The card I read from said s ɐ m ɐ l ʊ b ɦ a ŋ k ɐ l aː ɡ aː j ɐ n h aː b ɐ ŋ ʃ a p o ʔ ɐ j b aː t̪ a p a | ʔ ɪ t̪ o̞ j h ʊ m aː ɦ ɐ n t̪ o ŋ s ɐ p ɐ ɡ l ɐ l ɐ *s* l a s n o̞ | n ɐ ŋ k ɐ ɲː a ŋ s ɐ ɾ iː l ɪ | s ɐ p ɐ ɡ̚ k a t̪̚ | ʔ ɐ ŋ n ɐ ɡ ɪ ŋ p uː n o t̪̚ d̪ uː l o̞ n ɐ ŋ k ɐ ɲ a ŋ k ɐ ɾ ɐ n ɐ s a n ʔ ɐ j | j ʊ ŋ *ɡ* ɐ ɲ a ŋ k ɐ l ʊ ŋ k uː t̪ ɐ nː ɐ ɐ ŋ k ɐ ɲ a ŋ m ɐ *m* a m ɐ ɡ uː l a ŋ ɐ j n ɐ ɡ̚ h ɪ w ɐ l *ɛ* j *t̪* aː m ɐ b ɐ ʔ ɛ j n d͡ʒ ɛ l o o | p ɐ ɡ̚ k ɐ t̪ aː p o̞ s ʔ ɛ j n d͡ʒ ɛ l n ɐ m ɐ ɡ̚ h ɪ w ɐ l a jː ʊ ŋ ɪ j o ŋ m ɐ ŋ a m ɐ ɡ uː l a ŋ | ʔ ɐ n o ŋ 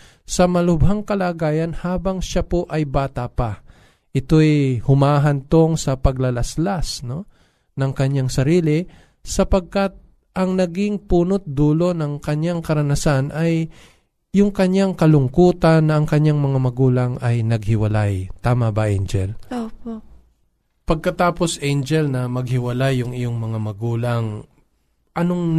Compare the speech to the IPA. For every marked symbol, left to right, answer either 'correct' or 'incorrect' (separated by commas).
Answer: correct, incorrect, incorrect, incorrect, correct